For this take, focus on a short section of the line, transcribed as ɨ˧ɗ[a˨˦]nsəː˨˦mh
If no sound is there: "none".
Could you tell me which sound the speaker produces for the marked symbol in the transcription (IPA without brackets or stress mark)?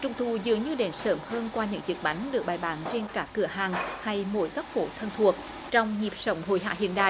e˨˦